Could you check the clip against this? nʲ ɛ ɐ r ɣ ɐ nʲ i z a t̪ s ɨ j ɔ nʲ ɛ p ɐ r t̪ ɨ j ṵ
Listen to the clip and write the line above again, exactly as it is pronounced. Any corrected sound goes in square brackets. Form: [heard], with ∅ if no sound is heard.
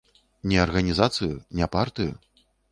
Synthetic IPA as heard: nʲ ɛ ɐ r ɣ ɐ nʲ i z a t̪ s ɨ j [u] nʲ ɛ p [a] r t̪ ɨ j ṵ